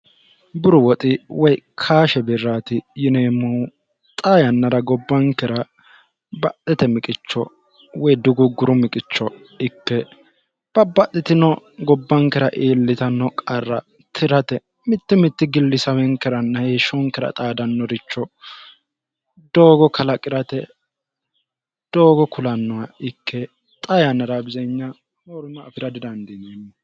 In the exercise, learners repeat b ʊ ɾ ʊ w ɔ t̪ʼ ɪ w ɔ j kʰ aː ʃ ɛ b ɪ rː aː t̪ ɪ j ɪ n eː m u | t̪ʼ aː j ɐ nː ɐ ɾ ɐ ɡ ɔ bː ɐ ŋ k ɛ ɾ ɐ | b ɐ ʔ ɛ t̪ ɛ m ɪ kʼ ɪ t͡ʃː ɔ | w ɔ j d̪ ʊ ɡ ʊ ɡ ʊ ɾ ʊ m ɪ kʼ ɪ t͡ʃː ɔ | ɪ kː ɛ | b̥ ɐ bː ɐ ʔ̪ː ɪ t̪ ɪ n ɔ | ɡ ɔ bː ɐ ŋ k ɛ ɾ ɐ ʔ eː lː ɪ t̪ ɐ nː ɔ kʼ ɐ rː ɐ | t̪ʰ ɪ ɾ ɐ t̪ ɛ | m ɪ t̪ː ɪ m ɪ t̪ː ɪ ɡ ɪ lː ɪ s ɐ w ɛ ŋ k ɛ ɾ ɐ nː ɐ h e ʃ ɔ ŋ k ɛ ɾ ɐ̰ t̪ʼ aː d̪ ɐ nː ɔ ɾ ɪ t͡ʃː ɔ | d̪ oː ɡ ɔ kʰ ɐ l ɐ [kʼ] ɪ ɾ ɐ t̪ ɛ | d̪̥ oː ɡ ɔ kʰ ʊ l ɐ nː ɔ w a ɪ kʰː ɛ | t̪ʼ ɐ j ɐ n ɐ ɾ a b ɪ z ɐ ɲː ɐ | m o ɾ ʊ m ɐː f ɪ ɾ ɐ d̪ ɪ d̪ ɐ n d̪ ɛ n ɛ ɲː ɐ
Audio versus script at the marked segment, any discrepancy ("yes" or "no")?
no